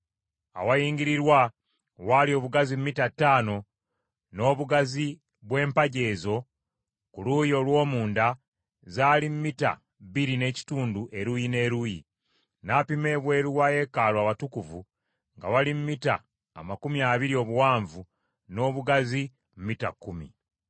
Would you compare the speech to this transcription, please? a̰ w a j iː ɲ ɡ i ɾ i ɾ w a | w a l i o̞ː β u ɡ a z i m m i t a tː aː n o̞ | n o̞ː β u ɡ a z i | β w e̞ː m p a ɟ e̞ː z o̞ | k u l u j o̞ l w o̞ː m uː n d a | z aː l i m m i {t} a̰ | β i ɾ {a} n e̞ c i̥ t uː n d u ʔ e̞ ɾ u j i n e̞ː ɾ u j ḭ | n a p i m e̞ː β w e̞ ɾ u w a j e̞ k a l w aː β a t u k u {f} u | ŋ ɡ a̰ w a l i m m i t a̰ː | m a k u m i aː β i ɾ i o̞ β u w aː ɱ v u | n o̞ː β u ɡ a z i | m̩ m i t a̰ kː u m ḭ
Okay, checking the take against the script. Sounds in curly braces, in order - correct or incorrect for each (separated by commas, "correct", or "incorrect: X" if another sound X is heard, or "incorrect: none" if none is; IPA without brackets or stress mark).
correct, incorrect: i, incorrect: v